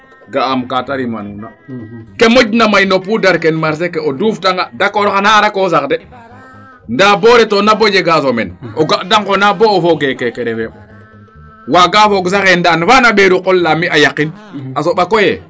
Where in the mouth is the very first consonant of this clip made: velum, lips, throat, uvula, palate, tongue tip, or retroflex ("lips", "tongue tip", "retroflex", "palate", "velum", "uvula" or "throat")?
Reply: velum